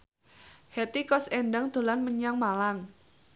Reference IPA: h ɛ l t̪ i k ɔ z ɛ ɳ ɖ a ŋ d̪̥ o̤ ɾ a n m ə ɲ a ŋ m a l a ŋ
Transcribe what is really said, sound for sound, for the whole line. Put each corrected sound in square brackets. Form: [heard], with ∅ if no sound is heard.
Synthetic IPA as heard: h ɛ [∅] t̪ i k ɔ [s] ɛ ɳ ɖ a ŋ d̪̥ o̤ [l] a n m ə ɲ a ŋ m a l a ŋ